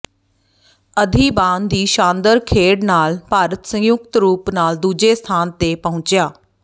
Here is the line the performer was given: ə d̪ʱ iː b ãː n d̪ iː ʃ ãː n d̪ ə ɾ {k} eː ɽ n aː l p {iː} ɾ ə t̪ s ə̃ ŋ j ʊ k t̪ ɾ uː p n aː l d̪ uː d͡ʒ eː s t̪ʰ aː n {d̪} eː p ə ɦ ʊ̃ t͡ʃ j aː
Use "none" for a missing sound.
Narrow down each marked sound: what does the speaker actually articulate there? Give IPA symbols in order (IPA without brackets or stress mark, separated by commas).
kʰ, aː, t̪